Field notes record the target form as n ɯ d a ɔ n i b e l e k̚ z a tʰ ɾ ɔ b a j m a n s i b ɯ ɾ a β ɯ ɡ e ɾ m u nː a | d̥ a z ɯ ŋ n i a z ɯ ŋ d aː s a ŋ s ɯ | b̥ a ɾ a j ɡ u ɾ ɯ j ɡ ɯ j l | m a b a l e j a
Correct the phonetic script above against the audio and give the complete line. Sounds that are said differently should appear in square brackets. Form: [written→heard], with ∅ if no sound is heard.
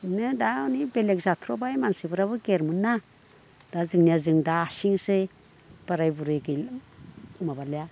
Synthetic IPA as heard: n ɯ d a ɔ n i b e l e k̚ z a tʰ ɾ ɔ b a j m a n s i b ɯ ɾ a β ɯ ɡ e ɾ m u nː a | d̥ a z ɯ ŋ n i a z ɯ ŋ d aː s [a→i] ŋ s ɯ | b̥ a ɾ a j [ɡ→b] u ɾ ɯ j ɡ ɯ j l | m a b a l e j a